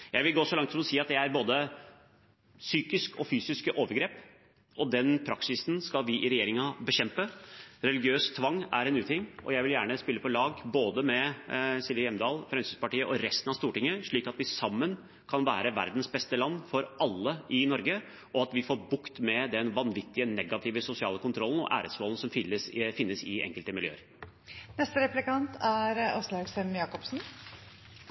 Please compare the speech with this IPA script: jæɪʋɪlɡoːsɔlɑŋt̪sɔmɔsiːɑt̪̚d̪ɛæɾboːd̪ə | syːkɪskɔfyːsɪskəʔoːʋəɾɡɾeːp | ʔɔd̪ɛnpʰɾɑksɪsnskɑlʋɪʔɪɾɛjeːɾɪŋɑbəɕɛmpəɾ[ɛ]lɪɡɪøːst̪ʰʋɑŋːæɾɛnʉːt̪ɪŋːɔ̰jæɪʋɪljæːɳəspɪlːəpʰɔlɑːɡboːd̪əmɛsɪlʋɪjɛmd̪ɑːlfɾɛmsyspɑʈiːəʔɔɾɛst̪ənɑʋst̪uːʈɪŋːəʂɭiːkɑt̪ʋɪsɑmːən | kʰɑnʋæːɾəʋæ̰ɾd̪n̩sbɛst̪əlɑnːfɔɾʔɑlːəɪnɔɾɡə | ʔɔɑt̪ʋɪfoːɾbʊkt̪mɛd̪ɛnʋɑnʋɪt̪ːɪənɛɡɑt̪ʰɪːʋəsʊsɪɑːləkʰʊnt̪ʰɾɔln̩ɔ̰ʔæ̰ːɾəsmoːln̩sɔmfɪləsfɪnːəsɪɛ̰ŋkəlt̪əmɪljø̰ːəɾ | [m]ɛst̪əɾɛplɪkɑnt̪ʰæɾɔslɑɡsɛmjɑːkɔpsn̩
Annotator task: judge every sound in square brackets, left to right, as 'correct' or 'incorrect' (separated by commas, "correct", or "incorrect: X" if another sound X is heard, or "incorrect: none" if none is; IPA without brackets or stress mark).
correct, incorrect: n